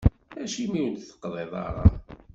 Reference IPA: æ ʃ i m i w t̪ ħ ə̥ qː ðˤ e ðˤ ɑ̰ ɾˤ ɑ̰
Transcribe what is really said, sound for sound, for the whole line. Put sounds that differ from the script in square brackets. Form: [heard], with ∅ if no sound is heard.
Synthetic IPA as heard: æ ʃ i m i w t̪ [θ] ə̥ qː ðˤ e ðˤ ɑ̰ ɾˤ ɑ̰